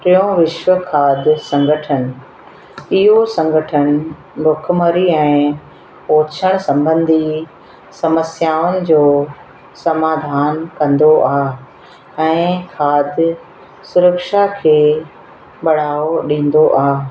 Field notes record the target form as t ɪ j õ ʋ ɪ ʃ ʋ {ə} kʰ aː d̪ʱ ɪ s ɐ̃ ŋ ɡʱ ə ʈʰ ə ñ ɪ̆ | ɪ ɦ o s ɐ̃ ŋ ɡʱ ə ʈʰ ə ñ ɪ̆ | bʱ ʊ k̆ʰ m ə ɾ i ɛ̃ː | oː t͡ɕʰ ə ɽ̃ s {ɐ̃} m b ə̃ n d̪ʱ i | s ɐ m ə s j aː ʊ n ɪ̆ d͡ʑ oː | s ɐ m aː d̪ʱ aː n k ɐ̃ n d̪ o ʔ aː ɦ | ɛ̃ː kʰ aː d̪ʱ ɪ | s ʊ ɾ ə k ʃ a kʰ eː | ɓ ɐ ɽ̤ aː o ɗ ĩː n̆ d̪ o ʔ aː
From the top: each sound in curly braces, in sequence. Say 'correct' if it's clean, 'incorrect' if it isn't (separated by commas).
correct, correct